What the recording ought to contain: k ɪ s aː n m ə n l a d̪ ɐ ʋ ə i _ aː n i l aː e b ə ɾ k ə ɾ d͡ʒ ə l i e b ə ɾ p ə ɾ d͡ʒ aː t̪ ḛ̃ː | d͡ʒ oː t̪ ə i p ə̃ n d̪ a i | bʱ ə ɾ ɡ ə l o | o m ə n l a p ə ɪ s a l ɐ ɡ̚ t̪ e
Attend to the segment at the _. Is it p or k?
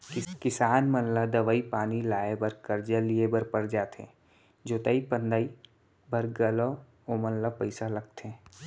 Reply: p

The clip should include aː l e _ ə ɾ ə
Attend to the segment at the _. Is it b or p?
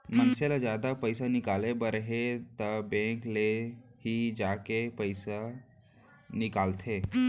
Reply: b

